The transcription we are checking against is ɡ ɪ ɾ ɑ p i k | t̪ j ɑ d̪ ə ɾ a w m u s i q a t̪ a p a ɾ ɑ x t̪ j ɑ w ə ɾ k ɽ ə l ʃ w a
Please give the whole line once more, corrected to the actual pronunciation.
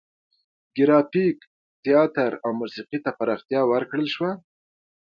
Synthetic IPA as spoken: ɡ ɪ ɾ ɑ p i k | t̪ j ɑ t̪ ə ɾ a w m u s i q i t̪ a p a ɾ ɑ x t̪ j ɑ w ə ɾ k ɽ ə l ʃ w a